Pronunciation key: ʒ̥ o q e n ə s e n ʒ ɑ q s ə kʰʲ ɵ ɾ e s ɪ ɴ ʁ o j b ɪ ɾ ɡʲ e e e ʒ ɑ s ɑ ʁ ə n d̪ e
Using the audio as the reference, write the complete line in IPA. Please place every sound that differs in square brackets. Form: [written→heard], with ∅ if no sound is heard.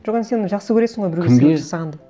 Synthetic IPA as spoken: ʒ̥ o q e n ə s e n ʒ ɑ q s ə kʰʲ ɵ ɾ e s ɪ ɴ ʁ o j b ɪ ɾ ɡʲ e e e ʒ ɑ s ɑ ʁ [ə→ɑ] n d̪ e